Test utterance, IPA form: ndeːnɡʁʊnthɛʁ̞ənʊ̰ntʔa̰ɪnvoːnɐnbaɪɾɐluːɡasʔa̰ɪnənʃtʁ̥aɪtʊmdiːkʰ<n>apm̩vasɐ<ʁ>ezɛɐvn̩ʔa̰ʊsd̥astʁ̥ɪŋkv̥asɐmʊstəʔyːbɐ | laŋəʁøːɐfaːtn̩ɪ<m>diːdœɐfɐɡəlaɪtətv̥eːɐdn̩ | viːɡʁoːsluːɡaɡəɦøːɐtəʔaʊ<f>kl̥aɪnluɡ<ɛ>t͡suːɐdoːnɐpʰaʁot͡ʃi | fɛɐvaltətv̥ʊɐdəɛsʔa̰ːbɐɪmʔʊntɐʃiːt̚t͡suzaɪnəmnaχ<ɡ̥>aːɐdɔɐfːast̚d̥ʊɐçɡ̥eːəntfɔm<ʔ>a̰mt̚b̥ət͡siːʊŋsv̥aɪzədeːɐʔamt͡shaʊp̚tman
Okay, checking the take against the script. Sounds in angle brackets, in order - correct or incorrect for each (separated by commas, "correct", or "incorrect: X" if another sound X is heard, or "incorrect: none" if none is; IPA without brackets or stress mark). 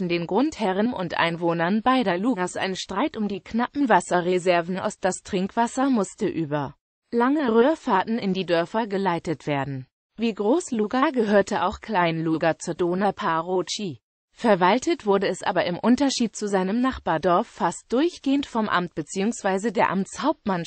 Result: correct, correct, incorrect: n, incorrect: x, incorrect: a, incorrect: b̥, correct